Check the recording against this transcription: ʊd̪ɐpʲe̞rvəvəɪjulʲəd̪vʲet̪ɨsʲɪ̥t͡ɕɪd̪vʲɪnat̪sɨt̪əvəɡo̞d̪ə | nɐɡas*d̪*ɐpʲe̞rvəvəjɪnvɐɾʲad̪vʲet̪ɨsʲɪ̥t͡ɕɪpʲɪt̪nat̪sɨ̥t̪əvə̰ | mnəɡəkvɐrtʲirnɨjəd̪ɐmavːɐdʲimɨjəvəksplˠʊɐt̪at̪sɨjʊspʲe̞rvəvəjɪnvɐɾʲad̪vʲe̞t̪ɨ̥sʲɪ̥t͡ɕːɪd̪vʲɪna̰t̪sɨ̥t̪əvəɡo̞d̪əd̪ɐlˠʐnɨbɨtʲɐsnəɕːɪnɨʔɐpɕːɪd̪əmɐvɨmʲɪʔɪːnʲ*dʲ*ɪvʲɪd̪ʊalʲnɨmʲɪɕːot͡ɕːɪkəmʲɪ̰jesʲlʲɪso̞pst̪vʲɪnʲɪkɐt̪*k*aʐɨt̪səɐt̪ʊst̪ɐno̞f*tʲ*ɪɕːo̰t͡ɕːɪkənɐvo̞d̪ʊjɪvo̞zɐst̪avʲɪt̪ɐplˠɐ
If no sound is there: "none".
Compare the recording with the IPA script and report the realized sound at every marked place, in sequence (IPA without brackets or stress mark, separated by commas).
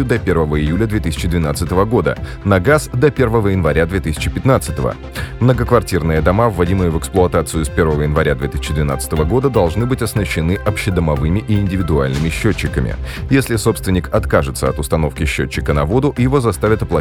d̪, dʲ, k, kʲ